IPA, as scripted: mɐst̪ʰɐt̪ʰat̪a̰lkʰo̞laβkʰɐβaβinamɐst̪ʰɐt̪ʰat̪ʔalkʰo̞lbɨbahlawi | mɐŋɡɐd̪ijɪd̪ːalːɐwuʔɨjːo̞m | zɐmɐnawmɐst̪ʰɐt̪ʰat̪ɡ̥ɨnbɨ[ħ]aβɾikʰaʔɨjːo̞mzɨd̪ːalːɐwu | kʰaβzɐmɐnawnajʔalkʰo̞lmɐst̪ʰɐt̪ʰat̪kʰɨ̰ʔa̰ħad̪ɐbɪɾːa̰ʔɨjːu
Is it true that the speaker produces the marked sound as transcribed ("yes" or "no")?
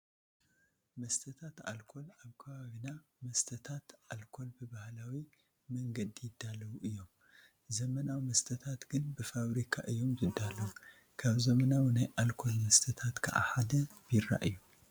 no